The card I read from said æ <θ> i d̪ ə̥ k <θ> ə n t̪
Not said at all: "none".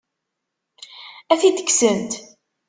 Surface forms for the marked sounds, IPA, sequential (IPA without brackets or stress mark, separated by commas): θ, s